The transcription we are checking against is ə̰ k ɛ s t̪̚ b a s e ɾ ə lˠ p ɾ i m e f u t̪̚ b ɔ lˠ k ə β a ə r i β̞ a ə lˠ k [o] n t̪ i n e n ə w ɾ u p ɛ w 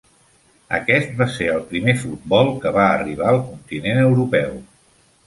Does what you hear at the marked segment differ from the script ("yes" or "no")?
yes